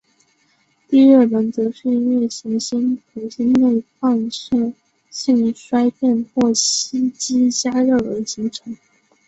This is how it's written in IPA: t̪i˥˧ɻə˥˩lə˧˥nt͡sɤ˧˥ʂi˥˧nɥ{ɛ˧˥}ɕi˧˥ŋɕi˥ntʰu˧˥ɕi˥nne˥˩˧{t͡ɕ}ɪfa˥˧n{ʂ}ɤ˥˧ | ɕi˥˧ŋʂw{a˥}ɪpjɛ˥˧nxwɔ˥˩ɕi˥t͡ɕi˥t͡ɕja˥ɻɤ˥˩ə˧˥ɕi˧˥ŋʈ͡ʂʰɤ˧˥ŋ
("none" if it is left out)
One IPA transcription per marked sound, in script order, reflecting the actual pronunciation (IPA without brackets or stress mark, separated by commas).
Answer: ɛ˥˩, none, ʂ, a˥